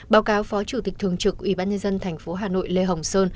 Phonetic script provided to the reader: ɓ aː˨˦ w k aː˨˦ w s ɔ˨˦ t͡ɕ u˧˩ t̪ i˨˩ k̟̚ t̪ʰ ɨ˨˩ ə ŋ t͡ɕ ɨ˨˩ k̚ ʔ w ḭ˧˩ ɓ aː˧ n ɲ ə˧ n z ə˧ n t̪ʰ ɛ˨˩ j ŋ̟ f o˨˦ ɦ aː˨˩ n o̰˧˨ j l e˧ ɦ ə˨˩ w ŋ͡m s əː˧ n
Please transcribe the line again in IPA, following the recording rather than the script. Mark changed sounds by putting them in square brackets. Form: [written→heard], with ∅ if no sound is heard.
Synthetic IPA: ɓ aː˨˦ w k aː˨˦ w [s→f] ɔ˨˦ t͡ɕ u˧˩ t̪ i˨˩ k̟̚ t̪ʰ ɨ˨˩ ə ŋ t͡ɕ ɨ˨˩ k̚ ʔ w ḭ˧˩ ɓ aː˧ n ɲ ə˧ n z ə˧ n t̪ʰ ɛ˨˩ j ŋ̟ f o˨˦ ɦ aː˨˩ n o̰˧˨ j l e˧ ɦ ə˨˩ w ŋ͡m s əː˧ n